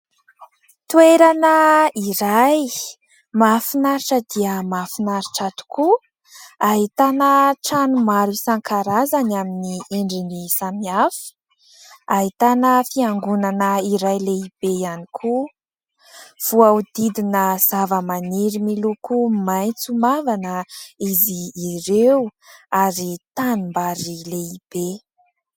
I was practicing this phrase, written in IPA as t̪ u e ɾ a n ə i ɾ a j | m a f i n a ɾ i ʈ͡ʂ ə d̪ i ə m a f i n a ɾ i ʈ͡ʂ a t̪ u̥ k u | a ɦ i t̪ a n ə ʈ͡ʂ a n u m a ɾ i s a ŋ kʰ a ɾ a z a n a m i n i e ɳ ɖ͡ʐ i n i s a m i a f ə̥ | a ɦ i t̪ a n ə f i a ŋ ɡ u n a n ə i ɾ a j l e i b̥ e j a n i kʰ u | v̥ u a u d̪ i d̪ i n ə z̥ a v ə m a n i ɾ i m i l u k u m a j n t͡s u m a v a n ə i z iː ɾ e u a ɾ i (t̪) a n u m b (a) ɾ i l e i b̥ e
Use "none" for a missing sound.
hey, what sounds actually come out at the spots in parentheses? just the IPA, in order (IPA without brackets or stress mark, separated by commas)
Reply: t̪, a